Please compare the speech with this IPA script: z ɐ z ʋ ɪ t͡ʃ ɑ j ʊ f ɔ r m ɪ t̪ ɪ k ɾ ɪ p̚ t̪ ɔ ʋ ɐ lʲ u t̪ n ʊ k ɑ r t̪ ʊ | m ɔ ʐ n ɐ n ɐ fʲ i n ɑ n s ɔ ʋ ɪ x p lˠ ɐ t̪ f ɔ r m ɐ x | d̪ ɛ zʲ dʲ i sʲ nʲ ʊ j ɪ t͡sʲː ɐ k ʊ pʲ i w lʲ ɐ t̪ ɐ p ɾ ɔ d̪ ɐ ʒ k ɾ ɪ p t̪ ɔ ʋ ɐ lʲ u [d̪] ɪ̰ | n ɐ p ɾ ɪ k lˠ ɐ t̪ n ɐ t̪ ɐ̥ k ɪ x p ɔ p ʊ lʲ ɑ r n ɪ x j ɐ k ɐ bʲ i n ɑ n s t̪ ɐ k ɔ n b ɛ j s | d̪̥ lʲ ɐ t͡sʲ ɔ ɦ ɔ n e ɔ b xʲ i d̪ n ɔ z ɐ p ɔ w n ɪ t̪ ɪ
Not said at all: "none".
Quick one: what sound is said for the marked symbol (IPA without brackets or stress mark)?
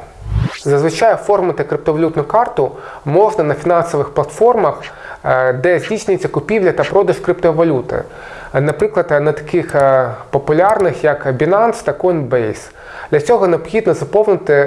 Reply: t̪